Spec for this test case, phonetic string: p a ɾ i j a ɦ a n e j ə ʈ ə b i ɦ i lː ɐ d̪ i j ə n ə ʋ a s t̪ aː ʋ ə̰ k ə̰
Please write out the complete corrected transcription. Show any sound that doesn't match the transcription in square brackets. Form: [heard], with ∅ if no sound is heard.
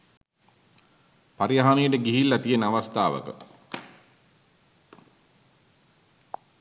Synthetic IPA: p a ɾ i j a ɦ a n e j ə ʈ ə [ɡ] i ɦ i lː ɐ [t̪] i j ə n [a] ʋ a s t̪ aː ʋ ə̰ k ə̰